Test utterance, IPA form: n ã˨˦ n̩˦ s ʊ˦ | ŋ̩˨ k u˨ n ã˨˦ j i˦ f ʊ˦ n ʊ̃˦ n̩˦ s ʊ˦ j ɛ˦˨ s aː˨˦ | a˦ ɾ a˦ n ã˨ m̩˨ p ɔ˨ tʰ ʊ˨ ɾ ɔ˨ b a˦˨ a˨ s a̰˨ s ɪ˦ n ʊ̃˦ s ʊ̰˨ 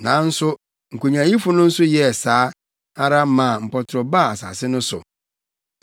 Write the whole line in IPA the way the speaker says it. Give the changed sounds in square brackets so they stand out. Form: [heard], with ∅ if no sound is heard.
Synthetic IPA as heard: n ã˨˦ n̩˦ s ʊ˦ | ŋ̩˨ k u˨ [ɲ] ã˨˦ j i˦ f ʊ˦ n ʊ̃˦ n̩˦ s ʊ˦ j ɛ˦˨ s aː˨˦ | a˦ ɾ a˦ [m] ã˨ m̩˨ p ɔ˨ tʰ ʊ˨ ɾ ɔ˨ b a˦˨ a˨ s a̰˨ s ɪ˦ n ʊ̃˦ s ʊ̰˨